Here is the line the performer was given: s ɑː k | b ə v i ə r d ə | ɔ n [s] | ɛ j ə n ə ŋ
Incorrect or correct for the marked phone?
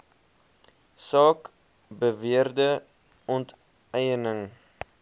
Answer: incorrect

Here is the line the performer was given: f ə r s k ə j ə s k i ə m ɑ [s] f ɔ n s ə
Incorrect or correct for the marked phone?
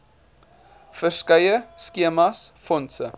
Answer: correct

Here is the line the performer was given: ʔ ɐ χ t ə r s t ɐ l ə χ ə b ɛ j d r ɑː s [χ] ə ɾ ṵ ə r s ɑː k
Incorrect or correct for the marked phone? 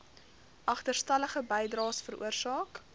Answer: incorrect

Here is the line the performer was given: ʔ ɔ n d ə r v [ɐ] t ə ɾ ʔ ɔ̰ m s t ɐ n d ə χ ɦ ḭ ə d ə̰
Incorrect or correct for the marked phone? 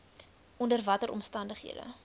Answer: correct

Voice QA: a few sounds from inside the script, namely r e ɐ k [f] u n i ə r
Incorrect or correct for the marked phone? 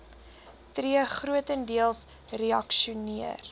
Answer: incorrect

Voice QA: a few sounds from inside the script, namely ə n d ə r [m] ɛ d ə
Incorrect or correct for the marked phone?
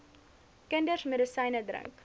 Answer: correct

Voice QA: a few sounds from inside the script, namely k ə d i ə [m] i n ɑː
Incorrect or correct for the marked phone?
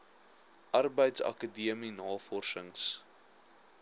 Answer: correct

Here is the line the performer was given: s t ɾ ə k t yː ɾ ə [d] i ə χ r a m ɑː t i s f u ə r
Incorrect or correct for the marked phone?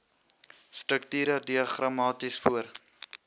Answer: correct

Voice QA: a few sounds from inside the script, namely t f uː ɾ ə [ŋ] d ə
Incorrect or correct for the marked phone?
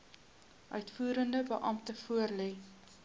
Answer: incorrect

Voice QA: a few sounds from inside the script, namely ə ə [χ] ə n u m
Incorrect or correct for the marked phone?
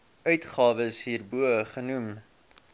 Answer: correct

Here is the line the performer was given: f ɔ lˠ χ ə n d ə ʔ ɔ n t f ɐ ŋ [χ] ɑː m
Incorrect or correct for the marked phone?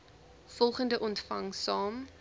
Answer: incorrect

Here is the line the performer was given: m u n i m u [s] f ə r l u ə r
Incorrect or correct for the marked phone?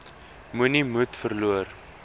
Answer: incorrect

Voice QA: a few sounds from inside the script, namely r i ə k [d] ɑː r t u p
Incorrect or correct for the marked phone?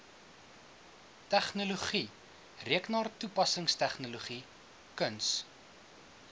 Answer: incorrect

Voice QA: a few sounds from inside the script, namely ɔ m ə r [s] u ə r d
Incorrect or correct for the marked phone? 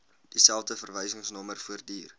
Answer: incorrect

